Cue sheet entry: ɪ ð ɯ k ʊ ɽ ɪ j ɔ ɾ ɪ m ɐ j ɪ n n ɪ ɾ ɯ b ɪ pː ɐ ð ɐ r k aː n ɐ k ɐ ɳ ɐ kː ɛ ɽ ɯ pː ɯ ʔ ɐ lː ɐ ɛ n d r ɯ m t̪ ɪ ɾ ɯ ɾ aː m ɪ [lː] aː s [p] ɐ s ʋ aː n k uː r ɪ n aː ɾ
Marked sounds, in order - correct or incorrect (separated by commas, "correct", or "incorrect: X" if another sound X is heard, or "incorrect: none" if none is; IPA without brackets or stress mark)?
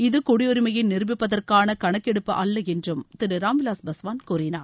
incorrect: l, incorrect: b